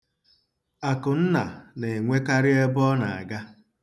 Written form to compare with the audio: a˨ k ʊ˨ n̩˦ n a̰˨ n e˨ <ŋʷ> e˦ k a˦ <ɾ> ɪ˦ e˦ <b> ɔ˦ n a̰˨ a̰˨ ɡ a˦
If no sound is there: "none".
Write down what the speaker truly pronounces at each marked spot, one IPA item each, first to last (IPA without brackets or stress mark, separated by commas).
ŋʷ, ɾ, b